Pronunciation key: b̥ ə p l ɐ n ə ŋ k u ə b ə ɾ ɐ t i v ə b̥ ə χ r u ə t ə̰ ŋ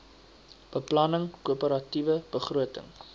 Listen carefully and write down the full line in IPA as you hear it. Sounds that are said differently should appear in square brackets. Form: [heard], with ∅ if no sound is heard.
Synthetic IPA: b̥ ə p l ɐ n ə ŋ k u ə [p] ə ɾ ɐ t i v ə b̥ ə χ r u ə t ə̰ ŋ

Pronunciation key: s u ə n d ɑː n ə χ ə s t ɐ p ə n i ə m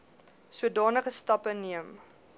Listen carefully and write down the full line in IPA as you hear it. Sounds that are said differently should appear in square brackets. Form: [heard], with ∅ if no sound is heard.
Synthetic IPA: s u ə [∅] d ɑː n ə χ ə s t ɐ p ə n i ə m

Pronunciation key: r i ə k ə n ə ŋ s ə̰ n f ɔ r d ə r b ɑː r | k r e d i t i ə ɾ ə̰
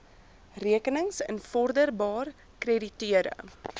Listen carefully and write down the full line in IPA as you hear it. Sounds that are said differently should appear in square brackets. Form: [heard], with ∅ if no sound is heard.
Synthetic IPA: r i ə k ə n ə ŋ s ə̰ n f ɔ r d ə r b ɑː r | k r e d i t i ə ɾ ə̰

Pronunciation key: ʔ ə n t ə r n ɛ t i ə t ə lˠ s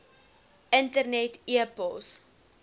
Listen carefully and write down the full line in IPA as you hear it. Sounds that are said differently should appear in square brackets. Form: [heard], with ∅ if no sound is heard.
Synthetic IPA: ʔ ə n t ə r n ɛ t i ə [p] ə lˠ s

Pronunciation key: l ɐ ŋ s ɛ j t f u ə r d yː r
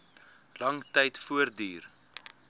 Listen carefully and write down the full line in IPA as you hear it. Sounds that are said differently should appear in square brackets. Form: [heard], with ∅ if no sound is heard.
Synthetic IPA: l ɐ ŋ [t] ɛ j t f u ə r d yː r

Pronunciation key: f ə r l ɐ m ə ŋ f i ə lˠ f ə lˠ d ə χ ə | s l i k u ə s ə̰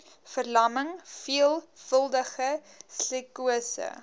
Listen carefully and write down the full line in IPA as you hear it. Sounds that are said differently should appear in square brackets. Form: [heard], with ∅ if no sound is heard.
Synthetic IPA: f ə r l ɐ m ə ŋ f i ə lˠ f ə lˠ d ə χ ə | s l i k u ə s ə̰

